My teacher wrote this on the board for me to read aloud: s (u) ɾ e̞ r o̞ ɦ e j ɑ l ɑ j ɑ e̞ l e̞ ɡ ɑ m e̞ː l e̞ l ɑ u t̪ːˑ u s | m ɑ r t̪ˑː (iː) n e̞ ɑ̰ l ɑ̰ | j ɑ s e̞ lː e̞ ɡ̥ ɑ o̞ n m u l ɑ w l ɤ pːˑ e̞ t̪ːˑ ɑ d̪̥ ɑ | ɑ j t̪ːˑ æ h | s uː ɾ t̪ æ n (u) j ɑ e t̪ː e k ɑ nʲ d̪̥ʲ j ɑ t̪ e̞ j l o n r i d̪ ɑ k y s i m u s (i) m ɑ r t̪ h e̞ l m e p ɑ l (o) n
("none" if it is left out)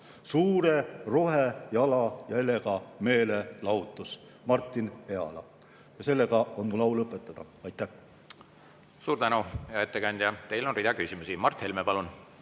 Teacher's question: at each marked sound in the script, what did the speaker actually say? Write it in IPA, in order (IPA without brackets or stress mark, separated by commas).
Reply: uː, i, u, i, u